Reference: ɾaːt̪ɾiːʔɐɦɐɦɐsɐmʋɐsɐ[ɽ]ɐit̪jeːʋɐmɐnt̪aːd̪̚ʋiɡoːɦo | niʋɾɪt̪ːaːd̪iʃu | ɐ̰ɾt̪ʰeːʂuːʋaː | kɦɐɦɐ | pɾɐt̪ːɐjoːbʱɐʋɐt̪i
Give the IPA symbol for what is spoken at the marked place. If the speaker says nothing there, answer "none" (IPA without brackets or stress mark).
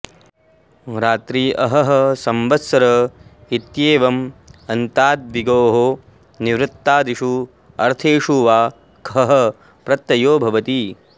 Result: ɾ